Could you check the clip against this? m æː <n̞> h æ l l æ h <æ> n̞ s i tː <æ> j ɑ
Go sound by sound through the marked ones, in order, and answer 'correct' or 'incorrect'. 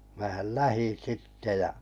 incorrect: none, incorrect: i, incorrect: e

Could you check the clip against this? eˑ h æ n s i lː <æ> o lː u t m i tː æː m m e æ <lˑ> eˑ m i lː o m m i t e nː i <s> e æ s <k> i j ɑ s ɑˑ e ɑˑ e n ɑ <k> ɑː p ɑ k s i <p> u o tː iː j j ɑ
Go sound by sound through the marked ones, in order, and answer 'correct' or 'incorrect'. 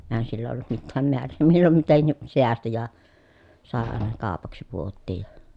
correct, incorrect: rˑ, correct, incorrect: t, correct, correct

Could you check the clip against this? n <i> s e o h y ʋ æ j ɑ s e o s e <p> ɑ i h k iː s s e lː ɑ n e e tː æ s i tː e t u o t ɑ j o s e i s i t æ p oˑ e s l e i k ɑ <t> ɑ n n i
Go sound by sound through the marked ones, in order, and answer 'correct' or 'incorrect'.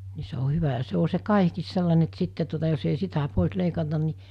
correct, incorrect: k, correct

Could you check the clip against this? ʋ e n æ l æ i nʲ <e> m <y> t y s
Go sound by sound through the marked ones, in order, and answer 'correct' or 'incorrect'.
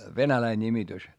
incorrect: i, incorrect: i

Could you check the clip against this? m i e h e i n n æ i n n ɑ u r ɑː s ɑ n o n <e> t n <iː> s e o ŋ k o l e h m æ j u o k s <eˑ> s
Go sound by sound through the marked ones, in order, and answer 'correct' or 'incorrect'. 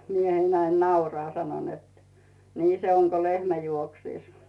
correct, correct, incorrect: iˑ

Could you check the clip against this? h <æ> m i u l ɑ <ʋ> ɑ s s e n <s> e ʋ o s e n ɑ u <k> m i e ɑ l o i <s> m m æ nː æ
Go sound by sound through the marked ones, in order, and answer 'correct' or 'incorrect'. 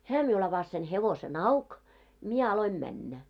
incorrect: æː, correct, incorrect: h, correct, incorrect: none

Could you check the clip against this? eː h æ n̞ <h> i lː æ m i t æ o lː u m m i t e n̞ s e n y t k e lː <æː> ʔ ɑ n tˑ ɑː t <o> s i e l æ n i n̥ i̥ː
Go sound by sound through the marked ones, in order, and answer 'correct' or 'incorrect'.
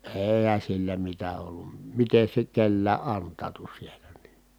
incorrect: s, correct, incorrect: u

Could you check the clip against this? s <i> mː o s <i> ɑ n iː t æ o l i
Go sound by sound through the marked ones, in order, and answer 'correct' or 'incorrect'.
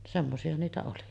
incorrect: e, correct

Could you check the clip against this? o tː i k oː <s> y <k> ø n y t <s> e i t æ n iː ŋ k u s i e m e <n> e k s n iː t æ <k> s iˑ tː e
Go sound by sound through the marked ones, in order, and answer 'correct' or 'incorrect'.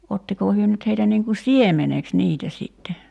incorrect: h, incorrect: none, incorrect: h, correct, incorrect: none

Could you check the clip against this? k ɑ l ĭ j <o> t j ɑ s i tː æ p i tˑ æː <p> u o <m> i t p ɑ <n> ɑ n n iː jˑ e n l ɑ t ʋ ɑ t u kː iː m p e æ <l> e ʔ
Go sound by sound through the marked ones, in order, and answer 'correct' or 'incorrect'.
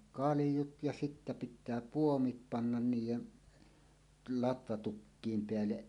incorrect: u, correct, correct, incorrect: nː, incorrect: lː

